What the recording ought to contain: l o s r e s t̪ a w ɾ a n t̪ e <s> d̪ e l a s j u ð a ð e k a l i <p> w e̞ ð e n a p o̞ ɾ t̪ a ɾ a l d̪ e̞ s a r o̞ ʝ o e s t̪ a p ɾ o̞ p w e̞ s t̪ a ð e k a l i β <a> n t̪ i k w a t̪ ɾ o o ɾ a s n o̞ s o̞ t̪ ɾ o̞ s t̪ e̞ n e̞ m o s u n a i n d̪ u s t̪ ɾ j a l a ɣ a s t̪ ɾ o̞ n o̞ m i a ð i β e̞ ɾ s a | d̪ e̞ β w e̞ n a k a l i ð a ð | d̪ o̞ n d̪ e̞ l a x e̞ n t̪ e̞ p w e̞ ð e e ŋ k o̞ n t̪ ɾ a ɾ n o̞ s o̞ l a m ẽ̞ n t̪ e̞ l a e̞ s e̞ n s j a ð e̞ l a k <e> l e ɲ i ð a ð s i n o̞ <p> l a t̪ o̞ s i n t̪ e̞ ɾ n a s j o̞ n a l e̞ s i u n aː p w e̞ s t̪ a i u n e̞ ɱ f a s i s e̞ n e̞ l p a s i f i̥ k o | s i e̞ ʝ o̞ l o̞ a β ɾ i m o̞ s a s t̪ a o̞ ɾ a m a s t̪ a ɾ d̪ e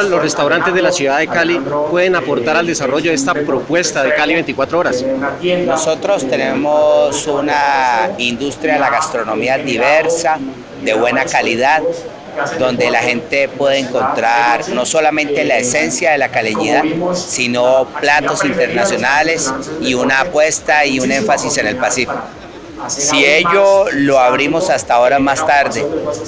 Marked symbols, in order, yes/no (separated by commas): no, yes, no, no, yes